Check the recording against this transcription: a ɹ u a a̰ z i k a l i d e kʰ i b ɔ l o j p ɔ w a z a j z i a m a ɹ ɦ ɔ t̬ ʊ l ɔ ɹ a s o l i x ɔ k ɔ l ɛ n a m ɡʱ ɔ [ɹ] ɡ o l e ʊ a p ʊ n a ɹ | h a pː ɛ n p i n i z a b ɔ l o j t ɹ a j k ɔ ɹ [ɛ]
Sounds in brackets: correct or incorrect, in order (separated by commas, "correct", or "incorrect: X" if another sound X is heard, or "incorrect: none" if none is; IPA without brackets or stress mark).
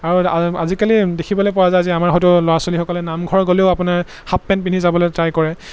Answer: correct, correct